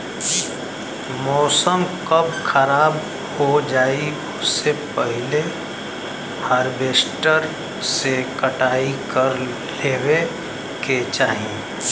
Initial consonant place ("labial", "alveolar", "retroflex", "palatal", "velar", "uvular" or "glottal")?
labial